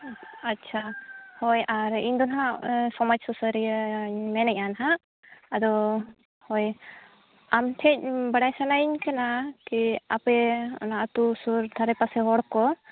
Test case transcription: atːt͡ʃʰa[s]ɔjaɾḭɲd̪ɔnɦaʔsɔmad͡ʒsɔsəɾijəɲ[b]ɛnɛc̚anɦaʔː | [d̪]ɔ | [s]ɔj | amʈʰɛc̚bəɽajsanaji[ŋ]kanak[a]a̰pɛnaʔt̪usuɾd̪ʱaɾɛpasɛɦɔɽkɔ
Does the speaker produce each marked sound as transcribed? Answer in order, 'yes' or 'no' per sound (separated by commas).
no, no, yes, no, no, no